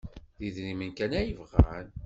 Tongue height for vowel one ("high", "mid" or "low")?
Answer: high